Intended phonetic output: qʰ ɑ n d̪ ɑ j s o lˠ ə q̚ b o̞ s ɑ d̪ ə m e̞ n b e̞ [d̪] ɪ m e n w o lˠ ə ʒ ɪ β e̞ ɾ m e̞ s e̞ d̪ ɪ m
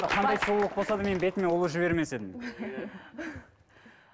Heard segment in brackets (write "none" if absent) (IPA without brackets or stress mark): t̪